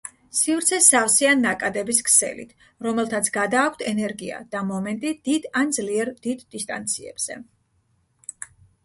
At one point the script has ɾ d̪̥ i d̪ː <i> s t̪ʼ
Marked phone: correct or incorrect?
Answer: correct